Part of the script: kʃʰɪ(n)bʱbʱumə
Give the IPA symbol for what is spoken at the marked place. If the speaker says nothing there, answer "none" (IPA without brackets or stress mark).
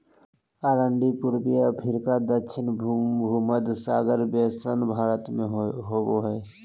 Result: n